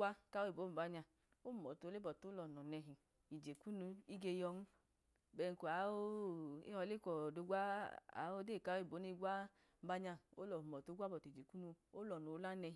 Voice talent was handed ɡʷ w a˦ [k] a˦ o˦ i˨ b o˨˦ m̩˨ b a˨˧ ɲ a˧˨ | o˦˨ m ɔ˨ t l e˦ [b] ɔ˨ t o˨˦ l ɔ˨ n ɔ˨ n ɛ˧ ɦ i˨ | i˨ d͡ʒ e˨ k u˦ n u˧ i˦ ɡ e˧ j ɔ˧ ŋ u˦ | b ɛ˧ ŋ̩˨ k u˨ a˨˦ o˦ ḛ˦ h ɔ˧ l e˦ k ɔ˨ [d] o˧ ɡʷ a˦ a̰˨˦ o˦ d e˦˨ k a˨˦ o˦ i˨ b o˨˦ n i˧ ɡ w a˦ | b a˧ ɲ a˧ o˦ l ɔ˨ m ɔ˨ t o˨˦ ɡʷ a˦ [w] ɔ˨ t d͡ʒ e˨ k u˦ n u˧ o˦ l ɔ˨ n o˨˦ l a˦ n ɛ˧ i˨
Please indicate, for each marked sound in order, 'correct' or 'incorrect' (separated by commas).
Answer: correct, correct, correct, incorrect